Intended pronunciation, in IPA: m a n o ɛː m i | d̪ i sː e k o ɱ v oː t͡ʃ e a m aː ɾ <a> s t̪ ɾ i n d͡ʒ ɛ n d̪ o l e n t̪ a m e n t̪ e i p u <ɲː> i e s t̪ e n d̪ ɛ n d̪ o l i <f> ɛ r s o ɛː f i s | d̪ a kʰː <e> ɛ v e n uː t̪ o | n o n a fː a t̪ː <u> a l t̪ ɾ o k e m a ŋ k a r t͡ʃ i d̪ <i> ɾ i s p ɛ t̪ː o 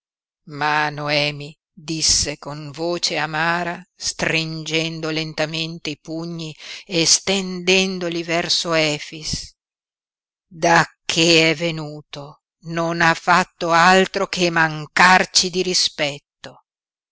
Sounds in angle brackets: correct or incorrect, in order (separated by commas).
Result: correct, correct, incorrect, correct, incorrect, correct